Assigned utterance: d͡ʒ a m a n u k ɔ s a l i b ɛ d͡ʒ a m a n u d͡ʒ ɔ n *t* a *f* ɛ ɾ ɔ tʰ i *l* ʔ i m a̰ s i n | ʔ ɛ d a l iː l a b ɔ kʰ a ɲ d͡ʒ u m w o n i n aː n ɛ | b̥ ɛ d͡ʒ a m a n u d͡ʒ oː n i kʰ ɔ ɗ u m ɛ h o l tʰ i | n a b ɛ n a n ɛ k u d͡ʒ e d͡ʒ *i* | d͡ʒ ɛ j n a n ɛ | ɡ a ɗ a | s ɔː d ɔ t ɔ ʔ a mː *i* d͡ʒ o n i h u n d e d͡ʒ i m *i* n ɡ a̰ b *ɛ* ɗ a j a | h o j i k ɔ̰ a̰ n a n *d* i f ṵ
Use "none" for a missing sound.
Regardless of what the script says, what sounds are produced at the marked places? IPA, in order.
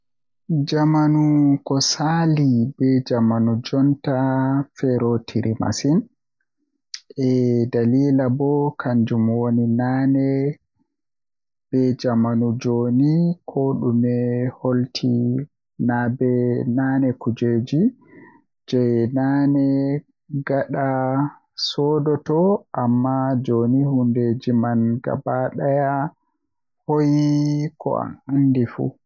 t, f, ɾ, i, a, a, a, d

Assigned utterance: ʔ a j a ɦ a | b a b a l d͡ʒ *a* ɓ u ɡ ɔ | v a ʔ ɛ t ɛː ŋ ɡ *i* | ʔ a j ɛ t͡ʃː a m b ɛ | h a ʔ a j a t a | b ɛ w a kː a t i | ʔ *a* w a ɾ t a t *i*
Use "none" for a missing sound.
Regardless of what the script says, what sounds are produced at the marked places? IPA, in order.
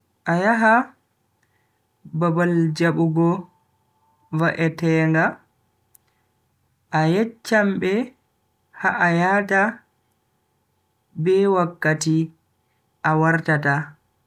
a, a, a, a

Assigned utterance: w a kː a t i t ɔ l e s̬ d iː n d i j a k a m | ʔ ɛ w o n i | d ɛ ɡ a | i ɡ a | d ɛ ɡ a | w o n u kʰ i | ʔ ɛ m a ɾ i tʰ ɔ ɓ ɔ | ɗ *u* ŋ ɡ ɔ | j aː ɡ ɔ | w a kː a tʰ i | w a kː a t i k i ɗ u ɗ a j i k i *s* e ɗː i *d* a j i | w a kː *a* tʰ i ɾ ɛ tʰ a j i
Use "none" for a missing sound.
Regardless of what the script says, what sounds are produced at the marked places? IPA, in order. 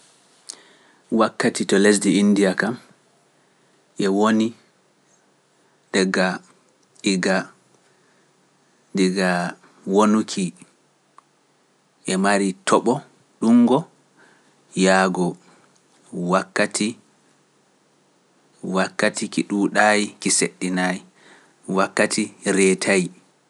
u, s, n, a

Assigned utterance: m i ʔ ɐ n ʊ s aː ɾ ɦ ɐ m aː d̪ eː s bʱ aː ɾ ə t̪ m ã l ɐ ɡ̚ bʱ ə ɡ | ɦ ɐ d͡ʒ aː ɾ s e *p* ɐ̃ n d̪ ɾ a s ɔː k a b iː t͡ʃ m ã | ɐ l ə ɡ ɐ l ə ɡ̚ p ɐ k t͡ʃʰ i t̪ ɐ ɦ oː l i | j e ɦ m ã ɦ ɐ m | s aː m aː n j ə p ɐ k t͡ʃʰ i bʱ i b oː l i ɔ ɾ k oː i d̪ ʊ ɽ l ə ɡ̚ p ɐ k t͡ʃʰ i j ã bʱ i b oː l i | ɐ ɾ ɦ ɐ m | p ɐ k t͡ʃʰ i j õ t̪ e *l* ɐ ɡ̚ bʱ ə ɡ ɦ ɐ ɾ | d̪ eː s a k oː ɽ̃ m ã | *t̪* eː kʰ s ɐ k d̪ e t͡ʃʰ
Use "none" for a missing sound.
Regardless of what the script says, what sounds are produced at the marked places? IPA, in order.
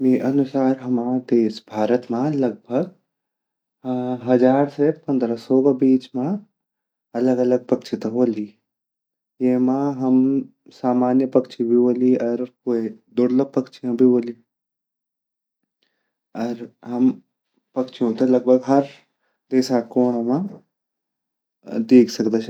p, l, d̪

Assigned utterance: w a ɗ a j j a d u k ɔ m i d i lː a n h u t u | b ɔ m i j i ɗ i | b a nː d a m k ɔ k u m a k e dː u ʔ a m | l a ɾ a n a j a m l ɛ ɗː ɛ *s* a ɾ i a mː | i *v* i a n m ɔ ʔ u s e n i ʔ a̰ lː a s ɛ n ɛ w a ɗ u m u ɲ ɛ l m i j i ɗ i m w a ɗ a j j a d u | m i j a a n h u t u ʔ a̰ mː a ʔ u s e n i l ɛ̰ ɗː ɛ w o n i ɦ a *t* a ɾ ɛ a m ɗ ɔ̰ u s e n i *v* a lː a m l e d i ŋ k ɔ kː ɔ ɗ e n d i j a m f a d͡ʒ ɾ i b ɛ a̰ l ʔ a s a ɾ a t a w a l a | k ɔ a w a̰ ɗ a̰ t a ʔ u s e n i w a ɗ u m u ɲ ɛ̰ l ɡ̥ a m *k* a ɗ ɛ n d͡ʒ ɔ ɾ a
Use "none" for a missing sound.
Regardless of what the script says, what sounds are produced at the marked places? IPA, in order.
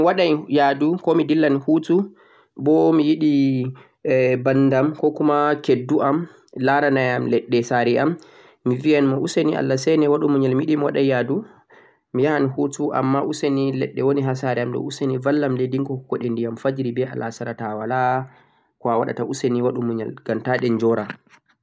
s, v, s, v, t

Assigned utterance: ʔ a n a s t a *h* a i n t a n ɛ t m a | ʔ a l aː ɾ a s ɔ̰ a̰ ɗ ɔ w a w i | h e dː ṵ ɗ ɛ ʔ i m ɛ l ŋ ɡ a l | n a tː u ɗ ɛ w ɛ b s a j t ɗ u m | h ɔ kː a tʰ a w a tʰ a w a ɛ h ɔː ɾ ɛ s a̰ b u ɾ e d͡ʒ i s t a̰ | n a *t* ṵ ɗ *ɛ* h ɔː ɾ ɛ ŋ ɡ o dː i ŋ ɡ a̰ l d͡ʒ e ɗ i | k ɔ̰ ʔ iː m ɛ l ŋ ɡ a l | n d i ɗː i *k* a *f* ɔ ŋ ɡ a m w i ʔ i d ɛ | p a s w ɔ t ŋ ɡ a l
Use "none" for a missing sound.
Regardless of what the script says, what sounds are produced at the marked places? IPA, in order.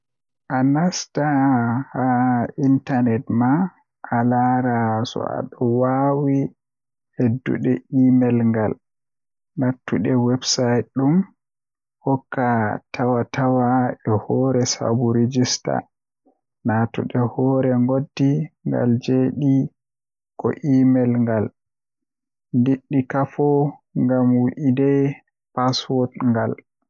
h, t, ɛ, k, f

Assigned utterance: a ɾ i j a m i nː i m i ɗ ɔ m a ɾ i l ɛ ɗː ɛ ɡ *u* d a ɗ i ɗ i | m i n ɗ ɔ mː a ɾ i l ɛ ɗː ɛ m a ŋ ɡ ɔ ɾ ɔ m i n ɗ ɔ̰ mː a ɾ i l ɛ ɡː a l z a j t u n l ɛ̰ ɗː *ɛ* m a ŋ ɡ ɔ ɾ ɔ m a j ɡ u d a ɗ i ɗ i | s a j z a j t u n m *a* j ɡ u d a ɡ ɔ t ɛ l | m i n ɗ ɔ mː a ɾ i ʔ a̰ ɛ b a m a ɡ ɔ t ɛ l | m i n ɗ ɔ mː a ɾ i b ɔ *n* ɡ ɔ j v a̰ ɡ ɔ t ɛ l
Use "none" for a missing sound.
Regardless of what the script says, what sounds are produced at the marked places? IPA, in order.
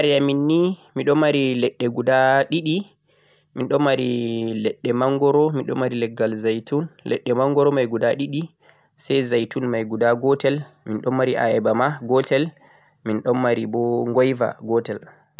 u, ɛ, a, ŋ

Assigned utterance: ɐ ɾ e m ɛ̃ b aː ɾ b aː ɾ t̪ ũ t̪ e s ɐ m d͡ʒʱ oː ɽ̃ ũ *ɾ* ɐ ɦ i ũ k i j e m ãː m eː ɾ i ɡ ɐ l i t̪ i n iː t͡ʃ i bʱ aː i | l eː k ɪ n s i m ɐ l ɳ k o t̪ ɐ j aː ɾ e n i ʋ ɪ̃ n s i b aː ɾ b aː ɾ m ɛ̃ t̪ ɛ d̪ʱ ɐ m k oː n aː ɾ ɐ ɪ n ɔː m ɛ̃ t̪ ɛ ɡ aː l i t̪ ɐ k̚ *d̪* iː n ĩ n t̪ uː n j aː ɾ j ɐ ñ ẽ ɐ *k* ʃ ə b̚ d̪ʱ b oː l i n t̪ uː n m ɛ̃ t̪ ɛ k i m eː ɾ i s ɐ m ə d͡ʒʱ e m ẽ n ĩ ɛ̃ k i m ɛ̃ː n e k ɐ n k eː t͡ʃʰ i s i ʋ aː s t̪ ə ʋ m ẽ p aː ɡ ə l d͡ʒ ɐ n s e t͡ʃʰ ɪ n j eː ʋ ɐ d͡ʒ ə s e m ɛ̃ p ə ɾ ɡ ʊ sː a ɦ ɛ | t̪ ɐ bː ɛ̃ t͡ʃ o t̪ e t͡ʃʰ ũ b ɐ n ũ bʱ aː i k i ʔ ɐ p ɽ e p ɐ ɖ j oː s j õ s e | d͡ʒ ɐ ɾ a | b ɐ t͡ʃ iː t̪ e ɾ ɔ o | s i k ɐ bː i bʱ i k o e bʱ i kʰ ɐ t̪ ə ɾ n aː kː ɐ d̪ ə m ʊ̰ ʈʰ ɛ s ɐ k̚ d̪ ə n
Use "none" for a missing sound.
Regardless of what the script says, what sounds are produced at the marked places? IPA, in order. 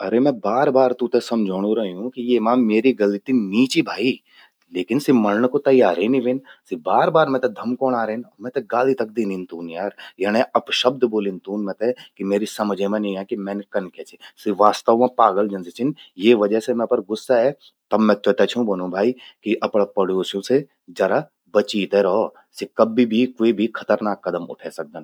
ɾ, d̪, p

